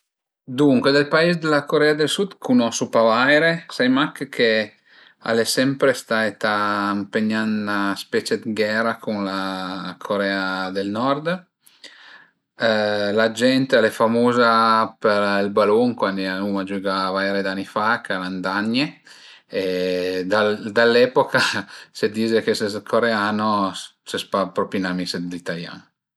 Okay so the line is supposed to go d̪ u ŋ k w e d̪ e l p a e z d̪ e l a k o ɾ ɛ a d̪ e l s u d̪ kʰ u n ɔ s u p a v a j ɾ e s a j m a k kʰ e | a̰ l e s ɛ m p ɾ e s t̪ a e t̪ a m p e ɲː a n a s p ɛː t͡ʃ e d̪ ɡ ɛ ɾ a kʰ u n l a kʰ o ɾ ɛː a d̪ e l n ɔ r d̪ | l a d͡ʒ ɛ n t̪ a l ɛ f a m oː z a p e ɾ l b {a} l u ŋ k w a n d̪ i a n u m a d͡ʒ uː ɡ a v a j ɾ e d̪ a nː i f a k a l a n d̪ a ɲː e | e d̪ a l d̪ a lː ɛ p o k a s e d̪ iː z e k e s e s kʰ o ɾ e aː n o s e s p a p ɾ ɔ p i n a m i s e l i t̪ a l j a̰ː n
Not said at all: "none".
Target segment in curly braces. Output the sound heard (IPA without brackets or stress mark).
a